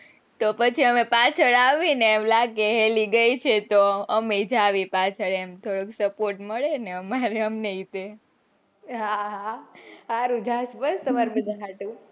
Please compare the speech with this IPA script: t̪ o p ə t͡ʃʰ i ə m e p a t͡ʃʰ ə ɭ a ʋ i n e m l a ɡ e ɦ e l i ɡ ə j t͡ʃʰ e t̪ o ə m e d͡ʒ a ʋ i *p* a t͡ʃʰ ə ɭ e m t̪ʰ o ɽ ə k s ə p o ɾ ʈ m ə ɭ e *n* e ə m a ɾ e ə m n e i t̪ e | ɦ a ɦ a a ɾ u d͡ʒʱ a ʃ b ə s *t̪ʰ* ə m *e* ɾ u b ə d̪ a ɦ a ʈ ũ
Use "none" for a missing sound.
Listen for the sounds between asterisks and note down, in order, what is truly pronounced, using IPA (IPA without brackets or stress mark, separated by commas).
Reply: p, n, t̪, a